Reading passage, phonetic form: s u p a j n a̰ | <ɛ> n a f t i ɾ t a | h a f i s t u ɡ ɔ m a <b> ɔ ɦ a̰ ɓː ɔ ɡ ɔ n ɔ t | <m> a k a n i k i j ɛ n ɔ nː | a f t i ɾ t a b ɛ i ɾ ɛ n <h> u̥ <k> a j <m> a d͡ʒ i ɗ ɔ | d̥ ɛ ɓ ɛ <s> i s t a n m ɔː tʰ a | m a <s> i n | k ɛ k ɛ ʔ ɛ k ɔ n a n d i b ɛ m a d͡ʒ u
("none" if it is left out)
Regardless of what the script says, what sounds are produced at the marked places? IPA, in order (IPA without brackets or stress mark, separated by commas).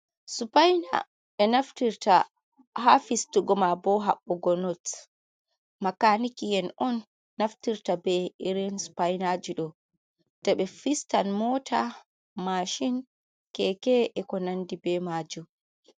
ɛ, b, m, s, p, n, f, ʃ